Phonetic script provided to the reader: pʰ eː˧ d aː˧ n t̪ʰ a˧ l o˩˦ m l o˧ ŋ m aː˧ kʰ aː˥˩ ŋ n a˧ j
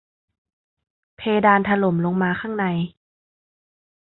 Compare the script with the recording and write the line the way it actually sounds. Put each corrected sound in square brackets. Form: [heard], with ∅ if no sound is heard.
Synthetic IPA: pʰ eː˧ d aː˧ n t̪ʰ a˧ l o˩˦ m l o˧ ŋ m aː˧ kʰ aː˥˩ ŋ n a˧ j

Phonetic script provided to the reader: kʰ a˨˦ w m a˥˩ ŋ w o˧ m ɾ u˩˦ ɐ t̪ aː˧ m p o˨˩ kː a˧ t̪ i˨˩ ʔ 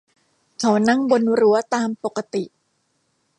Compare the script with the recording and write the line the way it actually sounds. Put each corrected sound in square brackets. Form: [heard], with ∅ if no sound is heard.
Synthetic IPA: kʰ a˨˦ w [n] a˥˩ ŋ [b] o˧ [n] ɾ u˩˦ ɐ t̪ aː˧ m p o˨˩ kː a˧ t̪ i˨˩ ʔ

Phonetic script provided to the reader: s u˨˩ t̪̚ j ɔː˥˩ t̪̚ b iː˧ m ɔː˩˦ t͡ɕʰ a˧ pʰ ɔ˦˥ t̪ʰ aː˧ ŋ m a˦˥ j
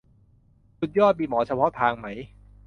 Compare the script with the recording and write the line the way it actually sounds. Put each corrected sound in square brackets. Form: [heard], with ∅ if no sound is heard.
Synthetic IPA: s u˨˩ t̪̚ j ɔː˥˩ t̪̚ [m] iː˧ m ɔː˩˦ t͡ɕʰ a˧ pʰ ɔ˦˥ t̪ʰ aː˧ ŋ m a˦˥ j

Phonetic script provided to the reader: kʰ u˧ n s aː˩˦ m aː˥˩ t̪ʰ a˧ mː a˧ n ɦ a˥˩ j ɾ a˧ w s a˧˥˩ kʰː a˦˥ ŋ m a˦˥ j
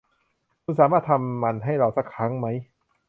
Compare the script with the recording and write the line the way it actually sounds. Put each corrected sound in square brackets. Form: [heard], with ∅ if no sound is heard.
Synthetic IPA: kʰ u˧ n s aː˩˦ m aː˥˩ t̪ʰ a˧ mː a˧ n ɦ a˥˩ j ɾ a˧ w s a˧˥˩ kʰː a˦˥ ŋ m a˦˥ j

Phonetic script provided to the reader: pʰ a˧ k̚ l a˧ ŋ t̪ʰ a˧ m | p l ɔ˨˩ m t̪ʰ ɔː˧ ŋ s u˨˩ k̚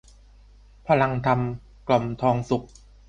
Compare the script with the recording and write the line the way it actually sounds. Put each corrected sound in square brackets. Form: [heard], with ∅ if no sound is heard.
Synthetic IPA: pʰ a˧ [∅] l a˧ ŋ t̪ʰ a˧ m | [k] l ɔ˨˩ m t̪ʰ ɔː˧ ŋ s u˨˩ k̚

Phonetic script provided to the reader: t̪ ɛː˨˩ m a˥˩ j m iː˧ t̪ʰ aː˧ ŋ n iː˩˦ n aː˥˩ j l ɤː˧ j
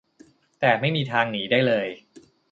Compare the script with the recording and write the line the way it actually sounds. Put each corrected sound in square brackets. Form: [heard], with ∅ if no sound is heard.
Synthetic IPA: t̪ ɛː˨˩ m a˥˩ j m iː˧ t̪ʰ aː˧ ŋ n iː˩˦ [d] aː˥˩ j l ɤː˧ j

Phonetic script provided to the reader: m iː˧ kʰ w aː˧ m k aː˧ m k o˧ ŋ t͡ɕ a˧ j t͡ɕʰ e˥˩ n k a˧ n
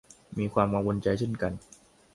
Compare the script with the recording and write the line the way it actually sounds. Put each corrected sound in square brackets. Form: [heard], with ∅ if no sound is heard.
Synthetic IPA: m iː˧ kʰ w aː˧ m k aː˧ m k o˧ [n] t͡ɕ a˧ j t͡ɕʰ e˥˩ n k a˧ n

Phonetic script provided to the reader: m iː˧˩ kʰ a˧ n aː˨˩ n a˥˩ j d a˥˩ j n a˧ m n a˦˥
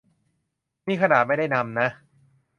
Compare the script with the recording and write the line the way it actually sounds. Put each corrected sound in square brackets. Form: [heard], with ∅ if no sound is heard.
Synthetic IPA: m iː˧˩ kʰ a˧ n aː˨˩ [m] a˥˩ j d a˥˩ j n a˧ m n a˦˥

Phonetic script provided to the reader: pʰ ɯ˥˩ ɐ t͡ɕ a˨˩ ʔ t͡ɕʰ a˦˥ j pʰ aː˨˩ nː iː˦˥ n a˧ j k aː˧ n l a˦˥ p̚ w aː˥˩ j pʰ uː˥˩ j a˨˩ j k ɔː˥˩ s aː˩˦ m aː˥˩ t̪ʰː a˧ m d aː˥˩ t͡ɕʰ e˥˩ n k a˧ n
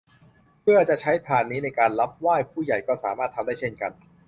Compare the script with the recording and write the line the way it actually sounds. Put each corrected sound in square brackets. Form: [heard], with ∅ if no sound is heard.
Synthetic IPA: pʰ ɯ˥˩ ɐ t͡ɕ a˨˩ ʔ t͡ɕʰ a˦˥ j pʰ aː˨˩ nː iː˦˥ n a˧ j k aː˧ n l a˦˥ p̚ w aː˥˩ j pʰ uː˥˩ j a˨˩ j k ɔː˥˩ s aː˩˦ m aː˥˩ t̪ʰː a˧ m d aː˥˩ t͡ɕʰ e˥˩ n k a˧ n

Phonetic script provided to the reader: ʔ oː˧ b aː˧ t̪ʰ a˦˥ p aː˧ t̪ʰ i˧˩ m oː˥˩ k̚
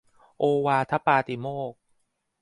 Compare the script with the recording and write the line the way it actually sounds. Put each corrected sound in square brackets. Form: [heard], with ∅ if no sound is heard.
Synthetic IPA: ʔ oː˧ [w] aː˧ t̪ʰ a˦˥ p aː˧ [t̪] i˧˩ m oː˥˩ k̚

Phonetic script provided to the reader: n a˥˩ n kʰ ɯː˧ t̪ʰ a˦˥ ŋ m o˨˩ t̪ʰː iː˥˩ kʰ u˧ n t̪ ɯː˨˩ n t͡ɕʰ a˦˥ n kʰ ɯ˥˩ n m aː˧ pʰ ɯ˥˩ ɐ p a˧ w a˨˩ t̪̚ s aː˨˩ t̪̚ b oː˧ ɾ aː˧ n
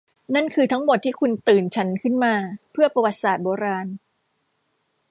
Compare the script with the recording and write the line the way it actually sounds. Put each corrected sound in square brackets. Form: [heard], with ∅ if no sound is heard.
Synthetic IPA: n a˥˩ n kʰ ɯː˧ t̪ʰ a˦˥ ŋ m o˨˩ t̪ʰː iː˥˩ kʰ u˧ n t̪ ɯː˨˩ n t͡ɕʰ a˦˥ n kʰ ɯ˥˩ n m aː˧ pʰ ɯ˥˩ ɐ p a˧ w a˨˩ t̪̚ s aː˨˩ t̪̚ b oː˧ ɾ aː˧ n

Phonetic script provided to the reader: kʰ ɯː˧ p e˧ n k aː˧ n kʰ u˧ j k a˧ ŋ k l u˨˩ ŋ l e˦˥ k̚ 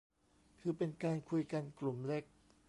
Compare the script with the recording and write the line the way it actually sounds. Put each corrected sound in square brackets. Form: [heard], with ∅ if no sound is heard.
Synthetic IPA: kʰ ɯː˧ p e˧ n k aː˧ n kʰ u˧ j k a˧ [n] k l u˨˩ [m] l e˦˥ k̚

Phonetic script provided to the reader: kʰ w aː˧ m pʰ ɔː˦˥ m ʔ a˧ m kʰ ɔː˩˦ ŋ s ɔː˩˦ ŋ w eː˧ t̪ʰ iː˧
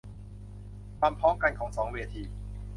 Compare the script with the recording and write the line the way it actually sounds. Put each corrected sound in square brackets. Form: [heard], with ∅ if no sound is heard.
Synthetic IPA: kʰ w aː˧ m pʰ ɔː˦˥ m [k] a˧ [n] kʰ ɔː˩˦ ŋ s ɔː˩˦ ŋ w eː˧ t̪ʰ iː˧

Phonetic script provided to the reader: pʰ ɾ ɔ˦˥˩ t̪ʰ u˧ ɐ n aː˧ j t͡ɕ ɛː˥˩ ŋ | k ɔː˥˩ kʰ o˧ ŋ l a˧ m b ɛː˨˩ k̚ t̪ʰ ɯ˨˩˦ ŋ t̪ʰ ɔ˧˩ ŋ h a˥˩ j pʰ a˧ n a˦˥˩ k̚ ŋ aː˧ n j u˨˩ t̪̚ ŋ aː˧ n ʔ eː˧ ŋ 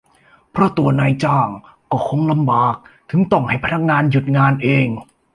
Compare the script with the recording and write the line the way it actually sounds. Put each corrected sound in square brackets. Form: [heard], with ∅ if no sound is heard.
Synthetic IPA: pʰ ɾ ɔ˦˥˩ [t̪] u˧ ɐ n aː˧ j t͡ɕ [aː˥˩] ŋ | k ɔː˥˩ kʰ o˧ ŋ l a˧ m b [aː˨˩] k̚ t̪ʰ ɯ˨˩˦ ŋ [t̪] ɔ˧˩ ŋ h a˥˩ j pʰ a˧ n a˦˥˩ k̚ ŋ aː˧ n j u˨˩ t̪̚ ŋ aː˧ n ʔ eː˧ ŋ

